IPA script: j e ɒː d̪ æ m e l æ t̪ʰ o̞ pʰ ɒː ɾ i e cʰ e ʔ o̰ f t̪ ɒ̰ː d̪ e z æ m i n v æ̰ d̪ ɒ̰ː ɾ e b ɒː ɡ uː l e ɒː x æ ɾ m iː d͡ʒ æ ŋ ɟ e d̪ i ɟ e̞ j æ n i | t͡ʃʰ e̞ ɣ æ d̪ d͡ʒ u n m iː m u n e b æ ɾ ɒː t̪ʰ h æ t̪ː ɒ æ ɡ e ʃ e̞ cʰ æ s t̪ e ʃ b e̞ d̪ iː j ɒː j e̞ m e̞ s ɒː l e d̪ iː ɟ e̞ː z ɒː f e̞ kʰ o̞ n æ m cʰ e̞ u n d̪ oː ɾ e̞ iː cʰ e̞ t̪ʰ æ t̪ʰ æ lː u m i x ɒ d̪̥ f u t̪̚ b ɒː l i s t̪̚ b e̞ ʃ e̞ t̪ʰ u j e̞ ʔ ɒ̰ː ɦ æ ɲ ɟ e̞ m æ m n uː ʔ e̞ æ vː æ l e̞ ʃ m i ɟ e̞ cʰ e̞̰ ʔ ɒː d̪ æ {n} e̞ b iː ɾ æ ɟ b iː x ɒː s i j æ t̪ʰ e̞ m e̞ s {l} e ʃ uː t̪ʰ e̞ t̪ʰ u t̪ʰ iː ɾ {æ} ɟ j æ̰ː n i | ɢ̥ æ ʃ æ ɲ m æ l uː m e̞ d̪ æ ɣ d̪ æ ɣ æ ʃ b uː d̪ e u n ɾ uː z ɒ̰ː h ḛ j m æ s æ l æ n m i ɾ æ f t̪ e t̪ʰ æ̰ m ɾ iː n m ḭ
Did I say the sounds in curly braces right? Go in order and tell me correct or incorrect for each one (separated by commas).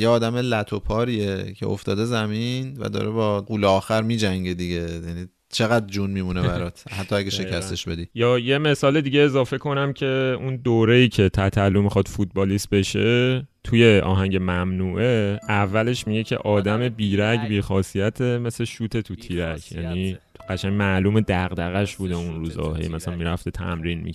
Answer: incorrect, correct, correct